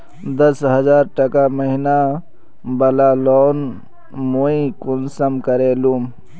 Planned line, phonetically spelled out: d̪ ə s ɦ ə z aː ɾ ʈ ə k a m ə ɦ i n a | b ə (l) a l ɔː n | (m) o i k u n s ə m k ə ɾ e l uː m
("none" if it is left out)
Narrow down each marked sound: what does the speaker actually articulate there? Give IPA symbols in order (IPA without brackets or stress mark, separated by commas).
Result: l, m